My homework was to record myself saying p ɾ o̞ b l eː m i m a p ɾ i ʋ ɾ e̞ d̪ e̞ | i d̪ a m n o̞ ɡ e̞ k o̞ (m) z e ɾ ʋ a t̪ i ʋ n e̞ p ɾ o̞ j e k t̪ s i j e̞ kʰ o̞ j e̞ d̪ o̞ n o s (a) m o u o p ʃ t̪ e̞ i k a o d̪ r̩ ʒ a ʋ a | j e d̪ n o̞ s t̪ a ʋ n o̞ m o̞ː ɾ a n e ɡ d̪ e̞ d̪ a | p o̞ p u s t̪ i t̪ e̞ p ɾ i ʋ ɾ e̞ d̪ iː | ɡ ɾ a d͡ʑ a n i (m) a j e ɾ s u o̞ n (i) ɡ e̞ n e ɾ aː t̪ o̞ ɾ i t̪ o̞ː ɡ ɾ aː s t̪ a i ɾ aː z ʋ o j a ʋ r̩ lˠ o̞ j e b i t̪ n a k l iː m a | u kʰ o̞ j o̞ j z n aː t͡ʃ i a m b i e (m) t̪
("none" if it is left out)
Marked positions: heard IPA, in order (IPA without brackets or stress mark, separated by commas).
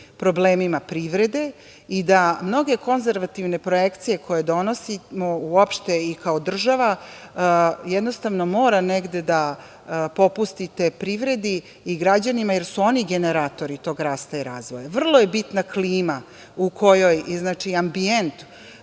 n, i, m, i, n